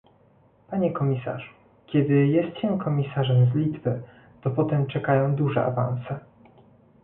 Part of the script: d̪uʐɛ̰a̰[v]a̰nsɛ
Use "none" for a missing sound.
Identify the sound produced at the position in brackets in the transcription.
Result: v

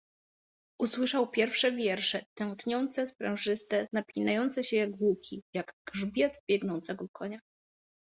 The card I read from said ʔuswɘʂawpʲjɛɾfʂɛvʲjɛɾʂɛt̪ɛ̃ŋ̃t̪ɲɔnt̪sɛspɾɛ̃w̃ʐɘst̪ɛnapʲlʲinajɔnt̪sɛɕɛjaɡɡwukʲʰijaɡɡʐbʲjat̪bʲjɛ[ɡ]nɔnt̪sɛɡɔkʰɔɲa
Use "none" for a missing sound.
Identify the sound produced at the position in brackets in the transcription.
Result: ɡ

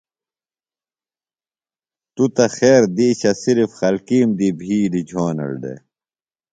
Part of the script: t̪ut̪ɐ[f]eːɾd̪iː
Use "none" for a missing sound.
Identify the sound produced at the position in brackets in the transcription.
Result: x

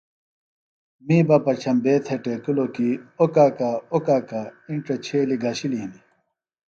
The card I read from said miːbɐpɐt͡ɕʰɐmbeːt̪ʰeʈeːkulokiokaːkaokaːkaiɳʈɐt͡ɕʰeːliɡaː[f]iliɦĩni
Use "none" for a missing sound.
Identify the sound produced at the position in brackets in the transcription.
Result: ɕ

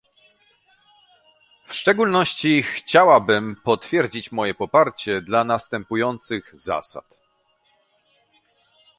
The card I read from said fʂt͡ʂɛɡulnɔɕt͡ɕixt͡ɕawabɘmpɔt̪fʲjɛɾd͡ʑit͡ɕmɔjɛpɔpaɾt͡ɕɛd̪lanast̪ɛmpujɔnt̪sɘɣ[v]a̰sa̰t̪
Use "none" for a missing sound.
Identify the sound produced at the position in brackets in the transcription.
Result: z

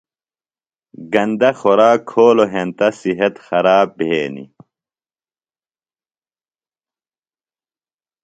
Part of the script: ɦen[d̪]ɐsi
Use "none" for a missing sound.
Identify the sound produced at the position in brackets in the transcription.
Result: t̪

